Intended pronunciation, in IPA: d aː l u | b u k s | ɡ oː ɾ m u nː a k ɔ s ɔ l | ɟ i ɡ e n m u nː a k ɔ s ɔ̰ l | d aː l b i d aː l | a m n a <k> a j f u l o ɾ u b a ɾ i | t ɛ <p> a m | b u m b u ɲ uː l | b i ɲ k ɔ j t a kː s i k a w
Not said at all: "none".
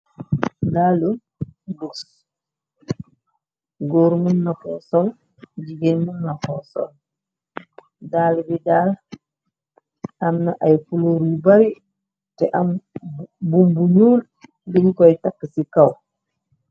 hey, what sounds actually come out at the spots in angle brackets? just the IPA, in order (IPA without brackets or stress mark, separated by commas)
ʔ, ʔ